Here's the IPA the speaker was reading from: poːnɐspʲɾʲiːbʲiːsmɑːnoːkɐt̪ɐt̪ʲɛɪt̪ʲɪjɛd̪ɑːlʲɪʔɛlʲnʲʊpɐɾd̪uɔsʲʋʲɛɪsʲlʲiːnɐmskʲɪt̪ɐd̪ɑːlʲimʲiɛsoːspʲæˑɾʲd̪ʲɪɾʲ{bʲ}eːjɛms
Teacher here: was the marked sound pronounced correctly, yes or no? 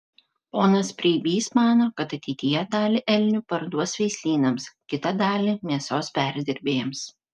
yes